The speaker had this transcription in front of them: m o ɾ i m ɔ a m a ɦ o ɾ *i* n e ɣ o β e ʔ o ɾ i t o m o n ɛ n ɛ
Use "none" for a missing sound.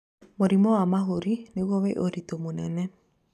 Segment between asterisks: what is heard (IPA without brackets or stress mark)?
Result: i